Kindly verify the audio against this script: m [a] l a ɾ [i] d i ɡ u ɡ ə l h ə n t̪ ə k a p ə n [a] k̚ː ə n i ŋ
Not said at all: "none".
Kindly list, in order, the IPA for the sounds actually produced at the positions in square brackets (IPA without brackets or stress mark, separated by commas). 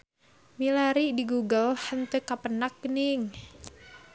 i, i, a